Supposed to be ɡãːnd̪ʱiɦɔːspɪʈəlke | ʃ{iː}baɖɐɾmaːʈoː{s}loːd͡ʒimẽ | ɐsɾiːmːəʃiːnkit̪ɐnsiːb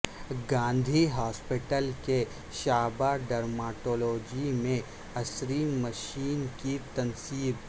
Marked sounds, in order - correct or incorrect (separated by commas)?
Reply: incorrect, incorrect